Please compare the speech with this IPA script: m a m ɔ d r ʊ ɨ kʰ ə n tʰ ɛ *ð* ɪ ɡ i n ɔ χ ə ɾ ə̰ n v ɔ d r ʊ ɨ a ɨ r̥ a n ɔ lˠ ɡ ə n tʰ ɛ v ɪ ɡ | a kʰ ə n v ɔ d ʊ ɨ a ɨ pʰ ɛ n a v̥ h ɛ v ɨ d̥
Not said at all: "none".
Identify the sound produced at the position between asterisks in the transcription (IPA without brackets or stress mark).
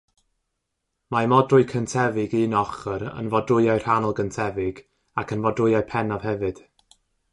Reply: v